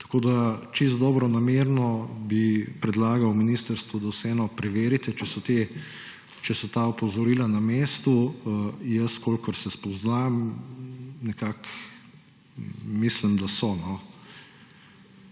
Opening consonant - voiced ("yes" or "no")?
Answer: no